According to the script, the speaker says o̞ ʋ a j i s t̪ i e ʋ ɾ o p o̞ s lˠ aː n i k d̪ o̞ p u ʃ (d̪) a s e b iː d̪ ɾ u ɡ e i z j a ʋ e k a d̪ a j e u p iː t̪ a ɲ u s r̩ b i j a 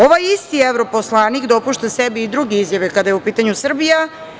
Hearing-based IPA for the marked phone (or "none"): t̪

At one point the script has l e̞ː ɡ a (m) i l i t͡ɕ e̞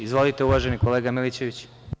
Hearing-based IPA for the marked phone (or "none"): m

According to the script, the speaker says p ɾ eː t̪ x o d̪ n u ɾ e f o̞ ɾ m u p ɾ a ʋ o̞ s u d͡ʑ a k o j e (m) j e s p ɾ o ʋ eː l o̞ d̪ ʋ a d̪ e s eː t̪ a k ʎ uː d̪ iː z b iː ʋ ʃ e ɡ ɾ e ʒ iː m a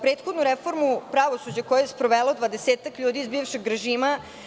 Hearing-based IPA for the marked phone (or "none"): none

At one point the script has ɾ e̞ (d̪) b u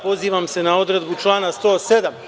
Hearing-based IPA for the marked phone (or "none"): d̪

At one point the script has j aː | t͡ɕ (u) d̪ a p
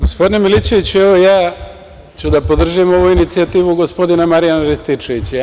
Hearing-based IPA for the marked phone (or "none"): u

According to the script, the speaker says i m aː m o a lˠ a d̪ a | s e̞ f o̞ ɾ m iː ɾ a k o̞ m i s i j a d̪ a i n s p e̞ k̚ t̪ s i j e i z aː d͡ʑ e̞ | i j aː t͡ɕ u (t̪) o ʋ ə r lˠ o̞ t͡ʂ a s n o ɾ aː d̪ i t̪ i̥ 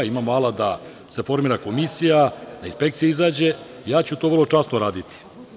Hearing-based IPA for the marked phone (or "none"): t̪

